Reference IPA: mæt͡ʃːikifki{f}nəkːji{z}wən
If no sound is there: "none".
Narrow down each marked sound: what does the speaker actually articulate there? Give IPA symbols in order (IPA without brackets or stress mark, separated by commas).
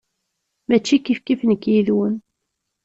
f, ð